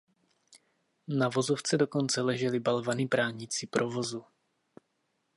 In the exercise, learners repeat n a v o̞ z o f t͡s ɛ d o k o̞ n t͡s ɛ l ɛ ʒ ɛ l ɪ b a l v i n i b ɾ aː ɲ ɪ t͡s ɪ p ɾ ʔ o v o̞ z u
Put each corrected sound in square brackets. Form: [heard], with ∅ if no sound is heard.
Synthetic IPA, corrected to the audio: n a v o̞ z o f t͡s ɛ d o k o̞ n t͡s ɛ l ɛ ʒ ɛ l ɪ b a l v [a] n i b ɾ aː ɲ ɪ t͡s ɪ p ɾ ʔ o v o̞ z u